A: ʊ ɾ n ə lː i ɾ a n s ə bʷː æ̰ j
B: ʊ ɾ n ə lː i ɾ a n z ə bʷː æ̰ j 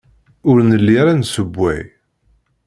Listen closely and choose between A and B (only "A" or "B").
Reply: A